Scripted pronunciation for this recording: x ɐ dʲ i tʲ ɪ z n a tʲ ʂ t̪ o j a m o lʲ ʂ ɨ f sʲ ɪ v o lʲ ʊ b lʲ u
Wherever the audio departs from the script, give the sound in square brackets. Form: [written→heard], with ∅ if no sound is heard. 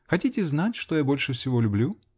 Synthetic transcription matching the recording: x ɐ [dʲ→tʲ] i tʲ ɪ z n a tʲ ʂ t̪ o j a [m→b] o lʲ ʂ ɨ f sʲ ɪ v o lʲ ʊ b lʲ u